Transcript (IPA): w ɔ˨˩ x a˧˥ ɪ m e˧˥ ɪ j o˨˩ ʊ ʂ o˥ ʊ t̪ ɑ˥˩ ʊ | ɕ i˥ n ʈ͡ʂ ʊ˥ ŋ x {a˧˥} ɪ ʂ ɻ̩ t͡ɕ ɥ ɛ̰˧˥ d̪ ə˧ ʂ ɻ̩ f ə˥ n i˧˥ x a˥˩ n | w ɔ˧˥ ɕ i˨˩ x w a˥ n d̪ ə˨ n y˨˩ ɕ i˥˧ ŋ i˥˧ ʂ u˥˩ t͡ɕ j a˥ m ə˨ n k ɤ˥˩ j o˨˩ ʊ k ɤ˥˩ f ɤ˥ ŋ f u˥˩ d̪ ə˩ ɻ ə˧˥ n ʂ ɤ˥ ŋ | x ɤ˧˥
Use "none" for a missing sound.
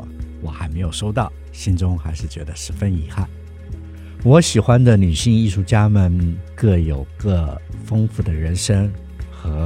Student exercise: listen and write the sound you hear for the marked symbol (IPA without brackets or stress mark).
a˧˥